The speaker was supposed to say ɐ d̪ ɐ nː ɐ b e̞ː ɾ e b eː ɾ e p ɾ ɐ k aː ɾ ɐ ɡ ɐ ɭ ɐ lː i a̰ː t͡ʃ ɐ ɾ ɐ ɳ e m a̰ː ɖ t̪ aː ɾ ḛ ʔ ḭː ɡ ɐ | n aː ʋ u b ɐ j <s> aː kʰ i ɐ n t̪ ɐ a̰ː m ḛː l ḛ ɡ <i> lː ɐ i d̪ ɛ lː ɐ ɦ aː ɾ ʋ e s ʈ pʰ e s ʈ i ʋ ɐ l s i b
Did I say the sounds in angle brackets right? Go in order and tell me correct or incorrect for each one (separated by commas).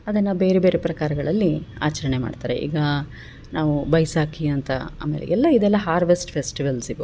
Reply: correct, incorrect